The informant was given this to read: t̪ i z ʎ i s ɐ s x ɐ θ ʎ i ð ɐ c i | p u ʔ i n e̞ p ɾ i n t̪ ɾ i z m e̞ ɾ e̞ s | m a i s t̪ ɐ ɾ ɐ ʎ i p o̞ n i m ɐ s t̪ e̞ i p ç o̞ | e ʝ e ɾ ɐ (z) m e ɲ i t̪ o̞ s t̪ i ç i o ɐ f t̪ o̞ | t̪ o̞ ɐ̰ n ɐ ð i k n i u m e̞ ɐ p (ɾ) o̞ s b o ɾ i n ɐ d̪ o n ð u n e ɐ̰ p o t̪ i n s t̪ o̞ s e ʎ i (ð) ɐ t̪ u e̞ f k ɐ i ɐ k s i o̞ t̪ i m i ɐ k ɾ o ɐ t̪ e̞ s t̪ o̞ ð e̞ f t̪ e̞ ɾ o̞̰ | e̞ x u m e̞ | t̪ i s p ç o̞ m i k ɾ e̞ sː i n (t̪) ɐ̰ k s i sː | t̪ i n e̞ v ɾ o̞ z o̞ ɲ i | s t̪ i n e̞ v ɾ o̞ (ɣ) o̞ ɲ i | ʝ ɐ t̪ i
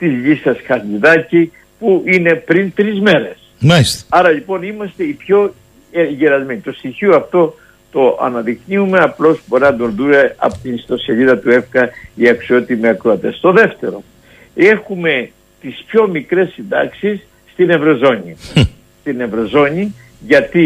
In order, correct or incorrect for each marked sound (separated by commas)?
correct, incorrect, correct, incorrect, incorrect